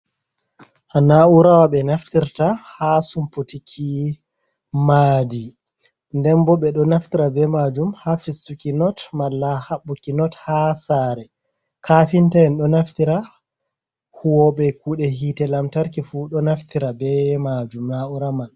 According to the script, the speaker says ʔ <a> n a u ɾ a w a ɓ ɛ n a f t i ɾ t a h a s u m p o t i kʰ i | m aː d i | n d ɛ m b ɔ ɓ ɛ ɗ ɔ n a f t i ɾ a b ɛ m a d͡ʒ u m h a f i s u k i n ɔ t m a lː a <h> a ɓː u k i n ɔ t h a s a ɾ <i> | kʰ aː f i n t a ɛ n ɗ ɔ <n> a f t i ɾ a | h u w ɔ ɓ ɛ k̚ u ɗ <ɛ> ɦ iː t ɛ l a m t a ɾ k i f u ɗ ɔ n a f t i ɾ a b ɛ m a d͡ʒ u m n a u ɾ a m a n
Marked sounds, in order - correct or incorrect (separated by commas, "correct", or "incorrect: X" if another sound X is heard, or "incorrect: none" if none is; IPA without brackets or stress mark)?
correct, correct, incorrect: ɛ, correct, correct